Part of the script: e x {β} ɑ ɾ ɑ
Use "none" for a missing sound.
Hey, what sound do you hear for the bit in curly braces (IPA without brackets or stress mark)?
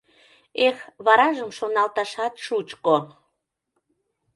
β